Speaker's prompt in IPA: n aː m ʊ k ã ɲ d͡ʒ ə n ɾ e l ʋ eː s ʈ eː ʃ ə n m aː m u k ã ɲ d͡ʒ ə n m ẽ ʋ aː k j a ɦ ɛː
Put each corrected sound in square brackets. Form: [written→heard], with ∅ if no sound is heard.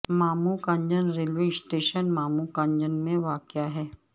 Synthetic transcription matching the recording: [n→m] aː m [ʊ→u] k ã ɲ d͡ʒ ə n ɾ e l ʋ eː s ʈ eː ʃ ə n m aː m u k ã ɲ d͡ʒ ə n m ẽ ʋ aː k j a ɦ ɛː